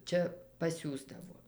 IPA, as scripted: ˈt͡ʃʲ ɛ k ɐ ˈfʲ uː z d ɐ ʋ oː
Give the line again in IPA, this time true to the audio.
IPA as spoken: ˈt͡ʃʲ ɛ p ɐ ˈsʲ uː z d ɐ ʋ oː

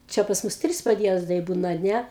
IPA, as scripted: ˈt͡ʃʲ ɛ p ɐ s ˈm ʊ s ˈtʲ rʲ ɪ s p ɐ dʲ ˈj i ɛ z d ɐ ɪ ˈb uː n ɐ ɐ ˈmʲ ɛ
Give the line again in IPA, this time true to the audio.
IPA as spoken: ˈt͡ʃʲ ɛ p ɐ s ˈm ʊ s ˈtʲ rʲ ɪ s p ɐ dʲ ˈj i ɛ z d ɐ ɪ ˈb uː n ɐ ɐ ˈnʲ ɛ

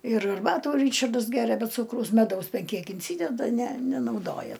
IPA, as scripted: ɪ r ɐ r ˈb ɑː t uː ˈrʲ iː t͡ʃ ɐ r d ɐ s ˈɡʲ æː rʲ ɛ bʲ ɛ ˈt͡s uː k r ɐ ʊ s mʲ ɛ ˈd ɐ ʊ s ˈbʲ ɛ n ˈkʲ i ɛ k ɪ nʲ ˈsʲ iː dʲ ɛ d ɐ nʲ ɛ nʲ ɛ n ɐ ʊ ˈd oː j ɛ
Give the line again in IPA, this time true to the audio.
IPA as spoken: ɪ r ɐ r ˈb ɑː t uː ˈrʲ iː t͡ʃ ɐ r d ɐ s ˈɡʲ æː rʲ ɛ bʲ ɛ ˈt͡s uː k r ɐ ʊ s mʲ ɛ ˈd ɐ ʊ s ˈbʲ ɛ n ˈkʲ i ɛ k ɪ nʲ ˈsʲ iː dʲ ɛ d ɐ nʲ ɛ nʲ ɛ n ɐ ʊ ˈd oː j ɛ

